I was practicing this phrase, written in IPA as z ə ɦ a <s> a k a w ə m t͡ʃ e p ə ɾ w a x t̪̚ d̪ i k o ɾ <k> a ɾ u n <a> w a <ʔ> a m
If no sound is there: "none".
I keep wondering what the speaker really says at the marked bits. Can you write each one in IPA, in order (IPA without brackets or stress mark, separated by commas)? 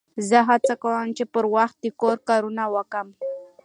t͡s, k, a, k